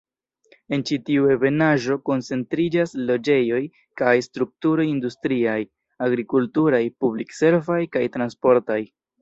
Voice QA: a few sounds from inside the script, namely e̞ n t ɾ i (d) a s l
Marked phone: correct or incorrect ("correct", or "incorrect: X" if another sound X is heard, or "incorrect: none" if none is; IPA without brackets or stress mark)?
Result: incorrect: d͡ʒ